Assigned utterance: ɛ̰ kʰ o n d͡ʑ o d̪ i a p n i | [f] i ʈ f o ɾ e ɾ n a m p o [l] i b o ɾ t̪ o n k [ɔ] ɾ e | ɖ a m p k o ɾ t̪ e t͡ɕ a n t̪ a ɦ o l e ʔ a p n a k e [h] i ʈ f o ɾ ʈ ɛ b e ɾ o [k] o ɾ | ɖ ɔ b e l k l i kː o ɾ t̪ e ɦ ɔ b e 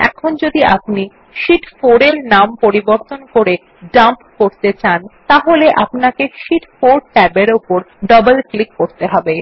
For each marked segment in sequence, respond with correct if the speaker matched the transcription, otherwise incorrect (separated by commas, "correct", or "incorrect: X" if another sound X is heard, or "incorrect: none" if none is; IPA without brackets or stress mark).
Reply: incorrect: ʃ, incorrect: ɾ, incorrect: o, incorrect: ʃ, incorrect: p